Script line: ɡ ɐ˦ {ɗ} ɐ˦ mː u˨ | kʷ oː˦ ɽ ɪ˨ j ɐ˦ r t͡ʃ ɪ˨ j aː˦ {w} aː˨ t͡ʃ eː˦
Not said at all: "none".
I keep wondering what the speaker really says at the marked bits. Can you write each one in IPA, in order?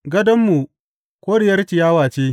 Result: d, w

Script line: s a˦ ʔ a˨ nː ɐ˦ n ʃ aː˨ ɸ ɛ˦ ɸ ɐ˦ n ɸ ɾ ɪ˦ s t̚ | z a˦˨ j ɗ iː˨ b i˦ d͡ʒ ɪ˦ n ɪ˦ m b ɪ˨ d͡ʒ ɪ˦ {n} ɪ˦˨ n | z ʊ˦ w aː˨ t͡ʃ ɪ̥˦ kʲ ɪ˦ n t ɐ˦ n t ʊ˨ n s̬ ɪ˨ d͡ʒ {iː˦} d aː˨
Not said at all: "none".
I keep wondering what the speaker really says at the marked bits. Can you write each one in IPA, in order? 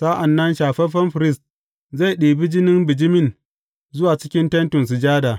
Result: m, aː˦

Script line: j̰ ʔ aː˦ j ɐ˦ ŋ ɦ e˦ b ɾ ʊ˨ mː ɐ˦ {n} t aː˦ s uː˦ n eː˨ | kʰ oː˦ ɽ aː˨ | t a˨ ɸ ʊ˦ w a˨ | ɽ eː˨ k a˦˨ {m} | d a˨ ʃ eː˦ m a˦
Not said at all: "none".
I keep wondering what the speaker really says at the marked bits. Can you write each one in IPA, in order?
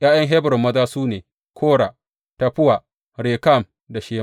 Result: none, m

